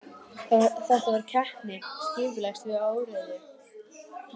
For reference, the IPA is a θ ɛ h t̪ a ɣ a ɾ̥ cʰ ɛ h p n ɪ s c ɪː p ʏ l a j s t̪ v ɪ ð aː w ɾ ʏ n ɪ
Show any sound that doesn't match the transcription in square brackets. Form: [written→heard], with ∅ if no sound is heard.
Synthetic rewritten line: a θ ɛ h t̪ a [ɣ→v] a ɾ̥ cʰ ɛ h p n ɪ s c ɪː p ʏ l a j s t̪ v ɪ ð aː w ɾ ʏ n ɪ